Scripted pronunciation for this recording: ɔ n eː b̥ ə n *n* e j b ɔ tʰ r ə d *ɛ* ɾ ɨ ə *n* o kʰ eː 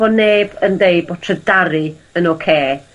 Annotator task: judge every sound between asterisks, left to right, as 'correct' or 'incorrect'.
incorrect: d, incorrect: a, correct

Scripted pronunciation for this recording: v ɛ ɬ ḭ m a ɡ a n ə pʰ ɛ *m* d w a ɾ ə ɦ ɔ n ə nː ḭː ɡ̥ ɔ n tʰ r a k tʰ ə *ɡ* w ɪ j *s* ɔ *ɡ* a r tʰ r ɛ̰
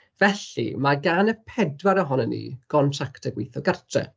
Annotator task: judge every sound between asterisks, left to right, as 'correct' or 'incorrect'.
incorrect: none, correct, incorrect: θ, correct

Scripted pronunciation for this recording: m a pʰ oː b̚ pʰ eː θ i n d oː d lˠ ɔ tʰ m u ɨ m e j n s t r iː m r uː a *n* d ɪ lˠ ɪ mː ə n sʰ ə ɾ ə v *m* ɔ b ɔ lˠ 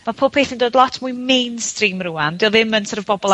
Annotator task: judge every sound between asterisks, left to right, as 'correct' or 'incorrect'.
correct, incorrect: b

